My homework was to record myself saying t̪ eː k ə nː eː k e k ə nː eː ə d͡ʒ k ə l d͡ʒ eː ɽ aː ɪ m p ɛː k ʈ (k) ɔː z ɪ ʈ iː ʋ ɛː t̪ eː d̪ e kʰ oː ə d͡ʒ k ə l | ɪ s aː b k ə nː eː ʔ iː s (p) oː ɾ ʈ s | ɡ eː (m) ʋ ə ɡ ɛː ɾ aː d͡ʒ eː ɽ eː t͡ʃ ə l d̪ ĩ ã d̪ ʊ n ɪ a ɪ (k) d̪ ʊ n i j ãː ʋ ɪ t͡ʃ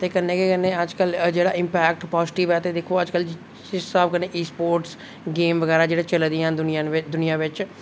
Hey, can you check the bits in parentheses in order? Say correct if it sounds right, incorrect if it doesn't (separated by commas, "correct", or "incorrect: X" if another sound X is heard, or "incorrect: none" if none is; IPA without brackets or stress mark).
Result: incorrect: p, correct, correct, incorrect: none